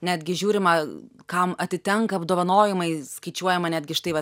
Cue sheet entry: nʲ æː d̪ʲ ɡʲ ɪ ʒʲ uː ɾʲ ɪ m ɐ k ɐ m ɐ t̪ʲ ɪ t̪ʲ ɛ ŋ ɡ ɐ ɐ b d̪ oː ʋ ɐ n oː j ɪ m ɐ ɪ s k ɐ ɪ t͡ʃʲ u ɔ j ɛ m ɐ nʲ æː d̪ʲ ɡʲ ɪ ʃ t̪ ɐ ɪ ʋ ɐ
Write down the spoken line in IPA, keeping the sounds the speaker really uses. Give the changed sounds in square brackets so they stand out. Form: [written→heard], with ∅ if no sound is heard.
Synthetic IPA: nʲ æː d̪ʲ ɡʲ ɪ ʒʲ uː ɾʲ ɪ m ɐ k ɐ m ɐ t̪ʲ ɪ t̪ʲ ɛ ŋ [ɡ→k] ɐ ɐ b d̪ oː ʋ ɐ n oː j ɪ m ɐ ɪ s k ɐ ɪ t͡ʃʲ u ɔ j ɛ m ɐ nʲ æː d̪ʲ ɡʲ ɪ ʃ t̪ ɐ ɪ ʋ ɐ